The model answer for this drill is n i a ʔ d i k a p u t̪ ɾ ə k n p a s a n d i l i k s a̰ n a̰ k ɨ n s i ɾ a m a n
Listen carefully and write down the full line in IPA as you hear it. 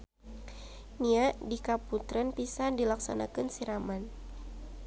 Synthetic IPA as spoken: n i a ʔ d i k a p u t̪ ɾ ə n p i s a n d i l a k s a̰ n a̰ k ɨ n s i ɾ a m a n